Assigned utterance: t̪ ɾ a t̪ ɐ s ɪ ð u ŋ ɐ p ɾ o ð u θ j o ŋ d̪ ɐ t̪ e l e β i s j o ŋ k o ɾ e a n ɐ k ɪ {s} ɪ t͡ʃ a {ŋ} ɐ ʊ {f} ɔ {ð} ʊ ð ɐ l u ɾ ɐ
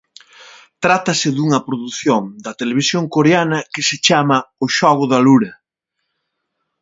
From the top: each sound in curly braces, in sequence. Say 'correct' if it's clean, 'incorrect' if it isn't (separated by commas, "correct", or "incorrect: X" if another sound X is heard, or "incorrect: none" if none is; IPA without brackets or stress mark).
correct, incorrect: m, incorrect: ʃ, incorrect: ɣ